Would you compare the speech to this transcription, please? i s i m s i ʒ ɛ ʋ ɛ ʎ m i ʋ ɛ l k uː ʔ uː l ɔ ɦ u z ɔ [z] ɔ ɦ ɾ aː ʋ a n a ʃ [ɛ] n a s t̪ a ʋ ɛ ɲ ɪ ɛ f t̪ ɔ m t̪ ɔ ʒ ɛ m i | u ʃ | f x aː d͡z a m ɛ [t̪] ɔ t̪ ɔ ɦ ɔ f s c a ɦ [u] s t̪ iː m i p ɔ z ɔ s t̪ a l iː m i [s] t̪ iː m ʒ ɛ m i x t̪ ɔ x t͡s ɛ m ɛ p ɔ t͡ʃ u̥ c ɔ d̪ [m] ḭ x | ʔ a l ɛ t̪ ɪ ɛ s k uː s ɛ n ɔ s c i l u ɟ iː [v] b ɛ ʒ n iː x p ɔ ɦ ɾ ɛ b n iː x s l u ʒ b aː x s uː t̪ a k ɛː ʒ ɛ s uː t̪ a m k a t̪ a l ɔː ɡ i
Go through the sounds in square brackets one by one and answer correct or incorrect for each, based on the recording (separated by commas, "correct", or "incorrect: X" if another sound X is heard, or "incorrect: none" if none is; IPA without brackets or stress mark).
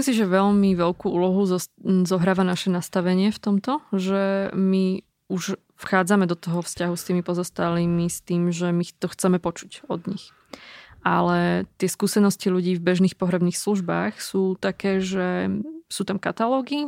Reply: correct, correct, incorrect: d̪, correct, correct, incorrect: ɲ, correct